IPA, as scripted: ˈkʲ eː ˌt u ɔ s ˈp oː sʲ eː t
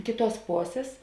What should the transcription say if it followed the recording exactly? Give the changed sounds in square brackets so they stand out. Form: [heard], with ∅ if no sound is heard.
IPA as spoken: ˈkʲ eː ˌt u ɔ s ˈp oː sʲ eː [s]